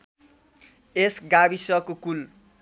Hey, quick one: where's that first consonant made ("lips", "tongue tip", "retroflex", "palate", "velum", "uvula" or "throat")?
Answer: tongue tip